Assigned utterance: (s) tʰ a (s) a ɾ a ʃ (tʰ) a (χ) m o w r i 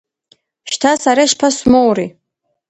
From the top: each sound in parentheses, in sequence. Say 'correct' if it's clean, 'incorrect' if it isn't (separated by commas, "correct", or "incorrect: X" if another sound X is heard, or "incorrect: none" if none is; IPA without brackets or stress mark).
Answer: incorrect: ʃ, correct, incorrect: pʰ, incorrect: s